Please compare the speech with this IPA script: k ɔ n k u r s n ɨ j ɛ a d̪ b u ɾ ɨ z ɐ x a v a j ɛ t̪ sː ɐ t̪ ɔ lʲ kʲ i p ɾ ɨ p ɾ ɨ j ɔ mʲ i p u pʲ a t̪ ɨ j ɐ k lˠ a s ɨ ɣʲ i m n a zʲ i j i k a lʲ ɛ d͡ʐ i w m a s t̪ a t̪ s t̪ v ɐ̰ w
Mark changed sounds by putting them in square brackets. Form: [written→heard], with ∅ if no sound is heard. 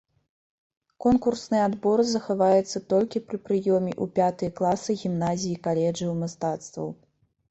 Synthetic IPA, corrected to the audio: k ɔ n k u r s n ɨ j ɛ a d̪ b [u→ɔ] ɾ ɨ z ɐ x a v a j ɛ t̪ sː ɐ t̪ ɔ lʲ kʲ i p ɾ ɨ p ɾ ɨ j ɔ mʲ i [p→ʔ] u pʲ a t̪ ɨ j ɐ k lˠ a s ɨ ɣʲ i m n a zʲ i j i k a lʲ ɛ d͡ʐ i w m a s t̪ a t̪ s t̪ v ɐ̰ w